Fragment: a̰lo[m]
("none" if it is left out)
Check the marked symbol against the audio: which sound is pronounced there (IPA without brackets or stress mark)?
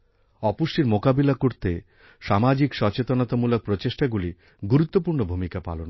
n